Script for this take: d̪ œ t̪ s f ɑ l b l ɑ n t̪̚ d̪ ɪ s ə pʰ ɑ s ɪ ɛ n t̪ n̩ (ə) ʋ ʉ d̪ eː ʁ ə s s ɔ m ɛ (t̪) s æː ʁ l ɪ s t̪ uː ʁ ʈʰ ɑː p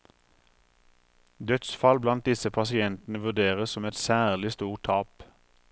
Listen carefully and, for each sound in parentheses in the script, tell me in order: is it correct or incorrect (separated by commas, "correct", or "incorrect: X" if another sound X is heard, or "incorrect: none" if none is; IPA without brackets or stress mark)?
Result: correct, correct